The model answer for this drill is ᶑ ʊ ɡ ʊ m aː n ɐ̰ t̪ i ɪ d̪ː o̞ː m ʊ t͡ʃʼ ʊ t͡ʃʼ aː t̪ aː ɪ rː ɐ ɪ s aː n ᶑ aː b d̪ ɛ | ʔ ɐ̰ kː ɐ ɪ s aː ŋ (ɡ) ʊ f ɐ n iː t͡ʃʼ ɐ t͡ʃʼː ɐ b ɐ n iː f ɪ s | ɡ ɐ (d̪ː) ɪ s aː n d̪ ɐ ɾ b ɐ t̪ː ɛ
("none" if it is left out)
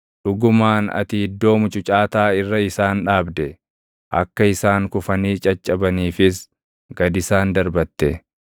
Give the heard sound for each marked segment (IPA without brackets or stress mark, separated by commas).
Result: k, d̪